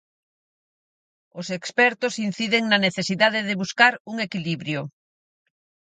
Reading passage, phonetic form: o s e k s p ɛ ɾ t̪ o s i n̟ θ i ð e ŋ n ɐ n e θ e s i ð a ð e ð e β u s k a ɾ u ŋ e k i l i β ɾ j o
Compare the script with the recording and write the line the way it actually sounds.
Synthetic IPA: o s e k s p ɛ ɾ t̪ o s i n̟ θ i ð e ŋ n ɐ n e θ e s i ð a ð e ð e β u s k a ɾ u ŋ e k i l i β ɾ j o